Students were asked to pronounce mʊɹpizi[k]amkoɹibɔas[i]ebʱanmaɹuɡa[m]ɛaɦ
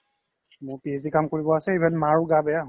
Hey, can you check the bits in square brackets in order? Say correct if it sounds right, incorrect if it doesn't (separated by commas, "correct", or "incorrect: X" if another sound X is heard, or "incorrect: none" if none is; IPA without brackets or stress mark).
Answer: correct, incorrect: ɛ, incorrect: b